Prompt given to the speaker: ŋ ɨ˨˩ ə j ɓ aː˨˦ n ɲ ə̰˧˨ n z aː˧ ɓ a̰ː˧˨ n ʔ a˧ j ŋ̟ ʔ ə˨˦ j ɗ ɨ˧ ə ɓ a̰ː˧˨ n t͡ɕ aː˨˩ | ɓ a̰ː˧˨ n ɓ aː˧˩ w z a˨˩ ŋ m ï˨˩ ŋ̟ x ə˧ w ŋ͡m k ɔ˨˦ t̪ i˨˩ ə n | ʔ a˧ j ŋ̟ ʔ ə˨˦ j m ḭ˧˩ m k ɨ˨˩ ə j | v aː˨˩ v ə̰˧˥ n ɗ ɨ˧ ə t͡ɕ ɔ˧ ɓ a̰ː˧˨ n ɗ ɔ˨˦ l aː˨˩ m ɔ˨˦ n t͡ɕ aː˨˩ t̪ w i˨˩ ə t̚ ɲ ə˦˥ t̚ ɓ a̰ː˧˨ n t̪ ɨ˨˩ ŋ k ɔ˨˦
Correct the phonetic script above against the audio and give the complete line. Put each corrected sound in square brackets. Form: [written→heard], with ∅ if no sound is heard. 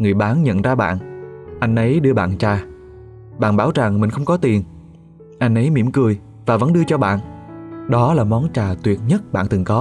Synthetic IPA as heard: ŋ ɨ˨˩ ə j ɓ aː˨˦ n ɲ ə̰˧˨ n z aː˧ ɓ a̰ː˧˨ n ʔ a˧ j ŋ̟ ʔ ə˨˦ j ɗ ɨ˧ ə ɓ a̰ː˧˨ n t͡ɕ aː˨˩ | ɓ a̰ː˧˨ n ɓ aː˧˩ w z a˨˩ ŋ m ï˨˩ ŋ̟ x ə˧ w ŋ͡m k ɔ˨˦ t̪ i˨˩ ə n | ʔ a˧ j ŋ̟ ʔ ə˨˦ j m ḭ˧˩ m k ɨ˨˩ ə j | v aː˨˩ v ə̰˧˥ n ɗ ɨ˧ ə t͡ɕ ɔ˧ ɓ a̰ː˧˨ n ɗ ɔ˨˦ l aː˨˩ m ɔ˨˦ n t͡ɕ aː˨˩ t̪ w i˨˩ ə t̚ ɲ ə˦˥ t̚ ɓ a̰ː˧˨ n t̪ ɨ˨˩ ŋ k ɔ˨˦